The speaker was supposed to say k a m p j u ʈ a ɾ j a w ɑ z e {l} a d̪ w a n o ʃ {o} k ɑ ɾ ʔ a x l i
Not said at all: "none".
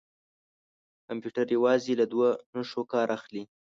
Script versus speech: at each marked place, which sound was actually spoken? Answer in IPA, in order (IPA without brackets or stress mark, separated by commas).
l, o